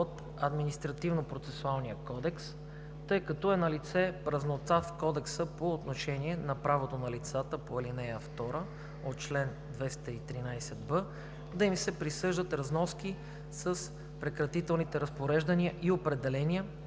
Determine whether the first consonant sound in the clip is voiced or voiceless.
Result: voiceless